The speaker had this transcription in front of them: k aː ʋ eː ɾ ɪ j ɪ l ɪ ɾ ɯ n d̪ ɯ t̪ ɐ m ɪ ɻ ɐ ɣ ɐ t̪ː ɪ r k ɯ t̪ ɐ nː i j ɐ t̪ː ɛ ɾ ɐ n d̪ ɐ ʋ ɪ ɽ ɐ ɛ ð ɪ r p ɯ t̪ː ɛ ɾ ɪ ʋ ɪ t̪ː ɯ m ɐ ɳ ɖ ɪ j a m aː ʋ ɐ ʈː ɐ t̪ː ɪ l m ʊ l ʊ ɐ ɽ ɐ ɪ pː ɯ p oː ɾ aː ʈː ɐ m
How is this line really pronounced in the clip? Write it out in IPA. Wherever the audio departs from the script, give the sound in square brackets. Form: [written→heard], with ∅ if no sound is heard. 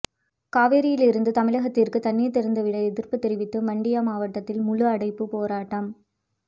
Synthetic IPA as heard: k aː ʋ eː ɾ ɪ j ɪ l ɪ ɾ ɯ n d̪ ɯ t̪ ɐ m ɪ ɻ ɐ ɣ ɐ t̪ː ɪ r k ɯ t̪ ɐ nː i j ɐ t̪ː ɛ ɾ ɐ n d̪ ɐ ʋ ɪ ɽ ɐ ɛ ð ɪ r p ɯ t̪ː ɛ ɾ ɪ ʋ ɪ t̪ː ɯ m ɐ ɳ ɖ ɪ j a m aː ʋ ɐ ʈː ɐ t̪ː ɪ l m ʊ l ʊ ɐ ɽ ɐ ɪ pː ɯ p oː ɾ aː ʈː ɐ m

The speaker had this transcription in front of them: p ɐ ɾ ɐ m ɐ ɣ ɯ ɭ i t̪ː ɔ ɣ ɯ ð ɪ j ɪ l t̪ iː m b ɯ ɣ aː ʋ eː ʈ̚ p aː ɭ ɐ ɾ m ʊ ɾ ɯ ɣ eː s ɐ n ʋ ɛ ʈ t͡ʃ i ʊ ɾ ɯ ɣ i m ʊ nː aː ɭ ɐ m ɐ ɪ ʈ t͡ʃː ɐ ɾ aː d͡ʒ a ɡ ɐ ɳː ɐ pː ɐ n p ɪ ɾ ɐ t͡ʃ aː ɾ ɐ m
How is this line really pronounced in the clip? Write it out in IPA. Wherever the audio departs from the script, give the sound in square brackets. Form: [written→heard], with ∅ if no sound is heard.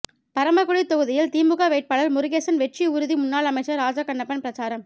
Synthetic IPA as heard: p ɐ ɾ ɐ m ɐ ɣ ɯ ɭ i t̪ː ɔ ɣ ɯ ð ɪ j ɪ l t̪ iː m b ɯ ɣ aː ʋ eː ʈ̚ p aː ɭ ɐ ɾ m ʊ ɾ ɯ ɣ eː s ɐ n ʋ ɛ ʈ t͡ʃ i ʊ ɾ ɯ [ɣ→ð] i m ʊ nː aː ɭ ɐ m ɐ ɪ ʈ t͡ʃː ɐ ɾ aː d͡ʒ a [ɡ→k] ɐ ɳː ɐ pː ɐ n p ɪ ɾ ɐ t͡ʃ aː ɾ ɐ m

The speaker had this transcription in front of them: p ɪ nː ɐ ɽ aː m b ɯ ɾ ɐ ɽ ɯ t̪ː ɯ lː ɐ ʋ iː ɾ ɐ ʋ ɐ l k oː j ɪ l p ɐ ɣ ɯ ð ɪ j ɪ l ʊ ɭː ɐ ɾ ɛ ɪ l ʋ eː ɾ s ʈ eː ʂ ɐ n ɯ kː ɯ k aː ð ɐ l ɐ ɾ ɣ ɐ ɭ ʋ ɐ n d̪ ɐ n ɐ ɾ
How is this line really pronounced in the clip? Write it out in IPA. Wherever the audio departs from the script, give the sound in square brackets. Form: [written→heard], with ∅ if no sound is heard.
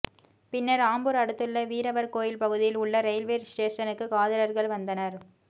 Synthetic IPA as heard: p ɪ nː ɐ [ɽ→ɾ] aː m b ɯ ɾ ɐ ɽ ɯ t̪ː ɯ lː ɐ ʋ iː ɾ ɐ ʋ ɐ [l→ɾ] k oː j ɪ l p ɐ ɣ ɯ ð ɪ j ɪ l ʊ ɭː ɐ ɾ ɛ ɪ l ʋ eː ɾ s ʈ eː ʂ ɐ n ɯ kː ɯ k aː ð ɐ l ɐ ɾ ɣ ɐ ɭ ʋ ɐ n d̪ ɐ n ɐ ɾ

